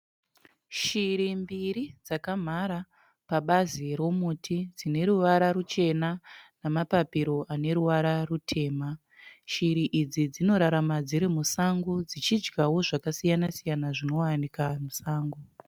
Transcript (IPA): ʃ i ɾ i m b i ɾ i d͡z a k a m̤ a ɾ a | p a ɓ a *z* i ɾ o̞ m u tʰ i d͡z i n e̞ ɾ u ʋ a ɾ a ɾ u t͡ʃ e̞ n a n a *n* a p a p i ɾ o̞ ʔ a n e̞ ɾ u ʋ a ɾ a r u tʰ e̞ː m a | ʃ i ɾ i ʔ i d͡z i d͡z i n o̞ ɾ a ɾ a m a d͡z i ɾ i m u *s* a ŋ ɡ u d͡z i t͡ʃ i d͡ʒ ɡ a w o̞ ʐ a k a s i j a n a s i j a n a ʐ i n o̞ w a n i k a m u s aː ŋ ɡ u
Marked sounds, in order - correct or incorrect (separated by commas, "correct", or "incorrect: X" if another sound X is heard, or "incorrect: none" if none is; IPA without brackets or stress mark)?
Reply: correct, incorrect: m, correct